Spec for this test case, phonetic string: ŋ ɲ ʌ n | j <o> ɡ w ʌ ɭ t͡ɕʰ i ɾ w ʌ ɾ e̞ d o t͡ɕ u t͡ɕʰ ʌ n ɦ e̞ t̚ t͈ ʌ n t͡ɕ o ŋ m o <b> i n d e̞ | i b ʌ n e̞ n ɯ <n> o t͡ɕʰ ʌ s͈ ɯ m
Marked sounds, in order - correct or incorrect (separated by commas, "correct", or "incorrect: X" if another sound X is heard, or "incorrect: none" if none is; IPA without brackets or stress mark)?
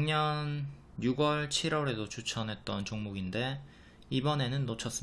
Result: incorrect: u, incorrect: ɡ, incorrect: nː